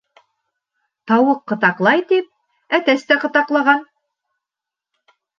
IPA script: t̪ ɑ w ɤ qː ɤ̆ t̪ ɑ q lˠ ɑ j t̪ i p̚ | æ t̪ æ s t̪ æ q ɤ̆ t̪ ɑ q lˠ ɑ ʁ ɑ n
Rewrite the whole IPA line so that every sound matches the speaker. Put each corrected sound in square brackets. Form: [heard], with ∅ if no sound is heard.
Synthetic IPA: t̪ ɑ w ɤ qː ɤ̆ t̪ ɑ q lˠ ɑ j t̪ i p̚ | æ t̪ æ s t̪ æ q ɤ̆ t̪ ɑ q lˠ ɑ ʁ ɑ n